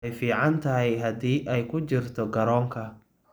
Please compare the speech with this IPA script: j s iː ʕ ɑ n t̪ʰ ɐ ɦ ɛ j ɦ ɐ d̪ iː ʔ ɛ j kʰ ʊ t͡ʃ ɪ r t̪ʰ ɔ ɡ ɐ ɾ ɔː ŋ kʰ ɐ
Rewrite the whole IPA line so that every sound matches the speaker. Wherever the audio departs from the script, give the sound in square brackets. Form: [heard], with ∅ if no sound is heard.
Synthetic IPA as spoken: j [f] iː ʕ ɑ n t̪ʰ ɐ ɦ ɛ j ɦ ɐ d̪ iː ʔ ɛ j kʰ ʊ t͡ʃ ɪ r t̪ʰ ɔ ɡ ɐ ɾ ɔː ŋ kʰ ɐ

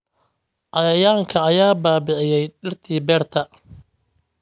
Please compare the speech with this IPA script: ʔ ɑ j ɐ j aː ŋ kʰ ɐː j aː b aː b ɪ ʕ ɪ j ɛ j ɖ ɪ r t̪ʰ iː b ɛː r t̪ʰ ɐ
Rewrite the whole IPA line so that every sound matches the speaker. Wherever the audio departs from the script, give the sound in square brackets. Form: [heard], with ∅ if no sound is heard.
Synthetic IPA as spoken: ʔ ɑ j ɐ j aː ŋ kʰ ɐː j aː b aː b ɪ ʕ ɪ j ɛ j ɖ ɪ r t̪ʰ iː b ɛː r t̪ʰ ɐ

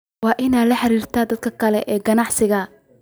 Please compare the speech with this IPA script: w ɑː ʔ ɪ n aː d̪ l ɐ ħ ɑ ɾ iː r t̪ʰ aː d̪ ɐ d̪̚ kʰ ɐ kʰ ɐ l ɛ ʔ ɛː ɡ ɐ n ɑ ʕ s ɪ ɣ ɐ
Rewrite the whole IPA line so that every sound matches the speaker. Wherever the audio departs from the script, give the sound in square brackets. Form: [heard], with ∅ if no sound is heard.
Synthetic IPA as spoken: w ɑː ʔ ɪ n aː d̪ l ɐ ħ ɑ ɾ iː r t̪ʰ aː d̪ ɐ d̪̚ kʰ ɐ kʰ ɐ l ɛ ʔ ɛː ɡ ɐ n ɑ ʕ s ɪ ɣ ɐ

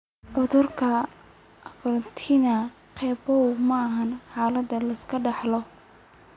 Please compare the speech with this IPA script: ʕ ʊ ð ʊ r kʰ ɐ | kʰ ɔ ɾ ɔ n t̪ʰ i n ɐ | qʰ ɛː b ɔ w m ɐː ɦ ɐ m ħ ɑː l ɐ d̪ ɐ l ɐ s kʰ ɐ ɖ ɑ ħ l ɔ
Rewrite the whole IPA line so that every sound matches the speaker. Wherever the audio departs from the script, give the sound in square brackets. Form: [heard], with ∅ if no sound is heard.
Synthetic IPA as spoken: ʕ ʊ ð ʊ r kʰ ɐ | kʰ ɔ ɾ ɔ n t̪ʰ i n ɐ | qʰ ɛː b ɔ w m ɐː ɦ ɐ [n] ħ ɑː l ɐ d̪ ɐ l ɐ s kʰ ɐ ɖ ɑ ħ l ɔ

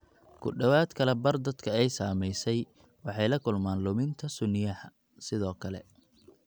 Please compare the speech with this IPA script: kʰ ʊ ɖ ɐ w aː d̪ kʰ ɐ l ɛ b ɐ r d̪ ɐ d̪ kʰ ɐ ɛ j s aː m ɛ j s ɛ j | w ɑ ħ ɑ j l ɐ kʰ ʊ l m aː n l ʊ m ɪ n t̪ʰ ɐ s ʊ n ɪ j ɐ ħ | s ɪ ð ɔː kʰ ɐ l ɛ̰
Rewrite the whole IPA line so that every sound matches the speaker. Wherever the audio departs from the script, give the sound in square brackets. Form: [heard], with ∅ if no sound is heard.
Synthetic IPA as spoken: kʰ ʊ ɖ ɐ w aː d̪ kʰ ɐ l ɛ b ɐ r d̪ ɐ d̪ kʰ ɐ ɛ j s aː m ɛ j s ɛ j | w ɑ ħ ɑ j l ɐ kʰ ʊ l m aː n l ʊ m ɪ n t̪ʰ ɐ s ʊ n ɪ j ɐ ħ | s ɪ ð ɔː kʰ ɐ l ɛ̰

